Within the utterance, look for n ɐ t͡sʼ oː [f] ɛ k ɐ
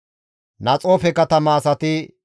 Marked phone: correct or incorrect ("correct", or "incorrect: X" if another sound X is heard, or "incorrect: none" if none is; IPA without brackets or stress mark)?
correct